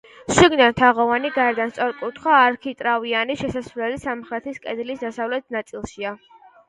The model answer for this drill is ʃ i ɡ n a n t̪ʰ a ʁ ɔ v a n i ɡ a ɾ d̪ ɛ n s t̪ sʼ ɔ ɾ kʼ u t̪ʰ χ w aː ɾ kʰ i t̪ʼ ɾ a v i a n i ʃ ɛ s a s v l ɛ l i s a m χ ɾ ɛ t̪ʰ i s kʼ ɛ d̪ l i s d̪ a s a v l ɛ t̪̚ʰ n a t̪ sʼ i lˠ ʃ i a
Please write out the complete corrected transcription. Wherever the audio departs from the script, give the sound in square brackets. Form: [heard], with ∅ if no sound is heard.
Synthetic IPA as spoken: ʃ i ɡ n a n t̪ʰ a ʁ ɔ v a n i ɡ a ɾ d̪ [a] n s t̪ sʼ ɔ ɾ kʼ u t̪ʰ χ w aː ɾ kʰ i t̪ʼ ɾ a v i a n i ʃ ɛ s a s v l ɛ l i s a m χ ɾ ɛ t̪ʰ i s kʼ ɛ d̪ l i s d̪ a s a v l ɛ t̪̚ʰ n a t̪ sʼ i lˠ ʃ i a